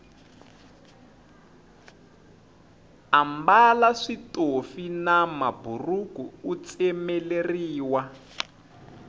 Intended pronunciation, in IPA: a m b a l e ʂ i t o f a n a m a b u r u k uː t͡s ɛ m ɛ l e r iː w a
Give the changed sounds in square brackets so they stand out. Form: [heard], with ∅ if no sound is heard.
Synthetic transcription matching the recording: a m b a l [a] ʂ i t o f [i] n a m a b u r u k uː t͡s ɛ m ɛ l e r iː w a